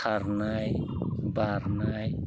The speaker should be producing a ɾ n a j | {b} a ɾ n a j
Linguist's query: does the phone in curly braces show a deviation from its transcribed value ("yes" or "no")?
no